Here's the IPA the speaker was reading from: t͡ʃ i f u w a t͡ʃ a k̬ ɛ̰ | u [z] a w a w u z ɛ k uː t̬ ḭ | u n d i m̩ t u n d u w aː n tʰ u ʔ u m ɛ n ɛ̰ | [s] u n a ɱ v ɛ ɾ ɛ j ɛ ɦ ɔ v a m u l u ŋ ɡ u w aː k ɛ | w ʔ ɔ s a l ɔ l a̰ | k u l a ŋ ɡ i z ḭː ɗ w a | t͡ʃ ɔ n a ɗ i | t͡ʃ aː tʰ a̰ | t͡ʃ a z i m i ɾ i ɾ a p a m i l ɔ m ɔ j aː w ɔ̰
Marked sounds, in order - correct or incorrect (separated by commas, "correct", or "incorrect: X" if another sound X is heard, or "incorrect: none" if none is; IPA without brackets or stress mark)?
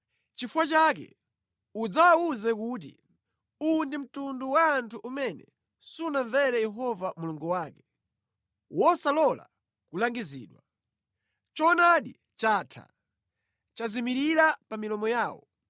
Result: incorrect: d͡z, correct